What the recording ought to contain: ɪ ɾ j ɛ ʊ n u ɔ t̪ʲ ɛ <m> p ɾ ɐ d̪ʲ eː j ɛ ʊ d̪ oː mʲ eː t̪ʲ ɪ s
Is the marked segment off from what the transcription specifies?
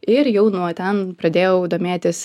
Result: yes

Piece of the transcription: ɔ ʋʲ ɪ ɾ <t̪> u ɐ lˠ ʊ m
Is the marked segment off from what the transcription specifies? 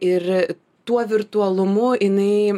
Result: no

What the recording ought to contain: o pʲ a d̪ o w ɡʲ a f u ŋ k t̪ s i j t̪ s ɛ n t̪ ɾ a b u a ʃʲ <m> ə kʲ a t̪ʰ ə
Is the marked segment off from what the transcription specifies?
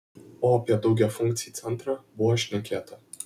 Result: yes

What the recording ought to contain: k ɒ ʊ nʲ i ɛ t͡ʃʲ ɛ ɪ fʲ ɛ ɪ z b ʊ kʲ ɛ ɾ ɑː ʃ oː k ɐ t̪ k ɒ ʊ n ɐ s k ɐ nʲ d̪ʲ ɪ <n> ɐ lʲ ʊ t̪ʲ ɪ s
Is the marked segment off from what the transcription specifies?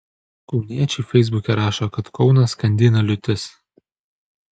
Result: no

